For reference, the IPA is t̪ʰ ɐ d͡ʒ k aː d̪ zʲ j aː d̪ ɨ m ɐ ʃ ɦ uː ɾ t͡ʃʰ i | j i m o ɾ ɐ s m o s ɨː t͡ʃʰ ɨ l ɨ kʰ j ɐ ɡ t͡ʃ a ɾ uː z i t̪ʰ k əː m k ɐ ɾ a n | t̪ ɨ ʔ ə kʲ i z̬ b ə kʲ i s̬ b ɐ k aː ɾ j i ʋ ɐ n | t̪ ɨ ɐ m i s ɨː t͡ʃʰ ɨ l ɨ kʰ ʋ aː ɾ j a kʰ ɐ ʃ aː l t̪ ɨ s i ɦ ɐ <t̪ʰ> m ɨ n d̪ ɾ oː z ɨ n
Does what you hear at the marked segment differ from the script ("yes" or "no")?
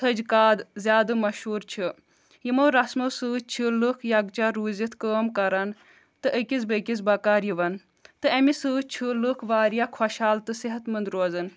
yes